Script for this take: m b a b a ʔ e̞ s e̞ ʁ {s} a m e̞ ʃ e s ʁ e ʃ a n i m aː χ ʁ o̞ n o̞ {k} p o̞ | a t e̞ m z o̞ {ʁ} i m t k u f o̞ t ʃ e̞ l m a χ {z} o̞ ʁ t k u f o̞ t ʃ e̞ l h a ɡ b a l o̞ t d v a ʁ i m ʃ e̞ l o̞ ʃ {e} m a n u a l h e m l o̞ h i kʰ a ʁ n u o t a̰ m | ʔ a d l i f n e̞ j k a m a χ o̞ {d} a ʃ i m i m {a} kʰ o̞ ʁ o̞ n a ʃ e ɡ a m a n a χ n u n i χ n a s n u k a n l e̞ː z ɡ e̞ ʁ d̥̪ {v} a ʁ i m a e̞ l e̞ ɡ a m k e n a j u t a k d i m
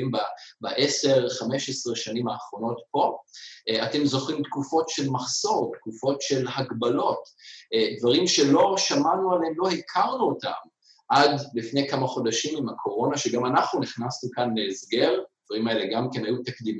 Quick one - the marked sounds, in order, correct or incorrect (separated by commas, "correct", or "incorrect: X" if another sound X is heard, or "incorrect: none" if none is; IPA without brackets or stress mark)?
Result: incorrect: χ, incorrect: t, incorrect: χ, incorrect: s, incorrect: a, correct, correct, correct